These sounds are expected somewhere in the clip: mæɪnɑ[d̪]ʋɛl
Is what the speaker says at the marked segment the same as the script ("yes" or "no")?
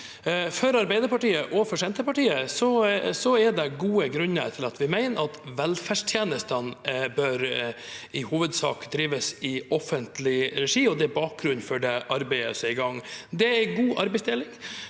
no